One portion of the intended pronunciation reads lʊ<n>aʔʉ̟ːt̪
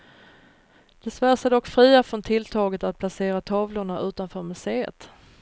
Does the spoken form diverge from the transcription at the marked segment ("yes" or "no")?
yes